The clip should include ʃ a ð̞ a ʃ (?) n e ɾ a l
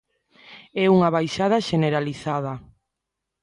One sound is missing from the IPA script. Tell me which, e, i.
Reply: e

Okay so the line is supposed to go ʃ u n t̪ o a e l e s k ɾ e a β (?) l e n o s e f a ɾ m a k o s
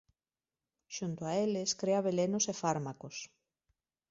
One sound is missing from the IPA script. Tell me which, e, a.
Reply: e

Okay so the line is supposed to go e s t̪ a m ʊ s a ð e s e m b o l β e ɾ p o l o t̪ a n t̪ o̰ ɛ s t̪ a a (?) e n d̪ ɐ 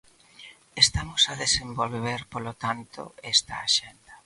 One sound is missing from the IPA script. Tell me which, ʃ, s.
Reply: ʃ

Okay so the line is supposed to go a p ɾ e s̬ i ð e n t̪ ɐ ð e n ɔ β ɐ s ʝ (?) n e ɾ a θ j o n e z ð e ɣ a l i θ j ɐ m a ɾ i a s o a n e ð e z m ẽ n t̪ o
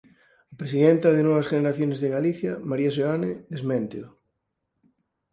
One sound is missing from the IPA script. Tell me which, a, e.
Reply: e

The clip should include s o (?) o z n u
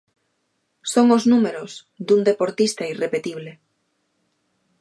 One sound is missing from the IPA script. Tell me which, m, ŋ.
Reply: ŋ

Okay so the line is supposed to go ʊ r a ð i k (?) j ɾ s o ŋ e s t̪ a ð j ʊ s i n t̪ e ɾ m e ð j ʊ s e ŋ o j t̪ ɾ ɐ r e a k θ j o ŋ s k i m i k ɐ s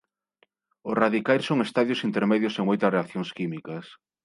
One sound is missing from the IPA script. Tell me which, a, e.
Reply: a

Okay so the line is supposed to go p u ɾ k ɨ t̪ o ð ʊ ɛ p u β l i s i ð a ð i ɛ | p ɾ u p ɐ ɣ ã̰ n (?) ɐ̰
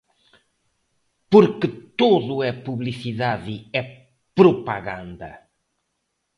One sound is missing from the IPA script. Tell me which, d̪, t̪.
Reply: d̪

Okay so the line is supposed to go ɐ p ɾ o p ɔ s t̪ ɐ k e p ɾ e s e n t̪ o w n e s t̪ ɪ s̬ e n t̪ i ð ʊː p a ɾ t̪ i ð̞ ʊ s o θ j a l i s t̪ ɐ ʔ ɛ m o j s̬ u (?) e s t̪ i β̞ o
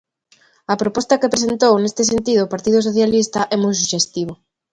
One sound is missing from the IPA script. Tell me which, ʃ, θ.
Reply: ʃ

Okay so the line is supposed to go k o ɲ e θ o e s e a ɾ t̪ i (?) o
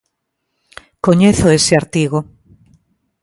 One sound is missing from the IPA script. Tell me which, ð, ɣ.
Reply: ɣ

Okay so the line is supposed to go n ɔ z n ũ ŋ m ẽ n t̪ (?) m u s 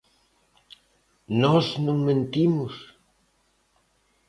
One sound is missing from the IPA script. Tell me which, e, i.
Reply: i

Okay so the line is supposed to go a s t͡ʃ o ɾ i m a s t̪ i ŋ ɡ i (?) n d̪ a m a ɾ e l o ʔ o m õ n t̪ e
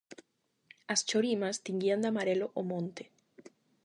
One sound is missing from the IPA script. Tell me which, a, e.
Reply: a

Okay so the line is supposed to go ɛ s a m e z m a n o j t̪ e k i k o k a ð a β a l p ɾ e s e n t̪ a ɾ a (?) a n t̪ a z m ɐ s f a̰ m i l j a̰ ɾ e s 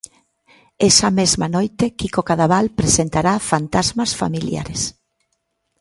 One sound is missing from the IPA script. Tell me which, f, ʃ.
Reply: f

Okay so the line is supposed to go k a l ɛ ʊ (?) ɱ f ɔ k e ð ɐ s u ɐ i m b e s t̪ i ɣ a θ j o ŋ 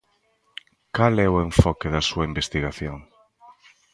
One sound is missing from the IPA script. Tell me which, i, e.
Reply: e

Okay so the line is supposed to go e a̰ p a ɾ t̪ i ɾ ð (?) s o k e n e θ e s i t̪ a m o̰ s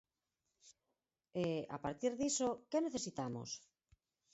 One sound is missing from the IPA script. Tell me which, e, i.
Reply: i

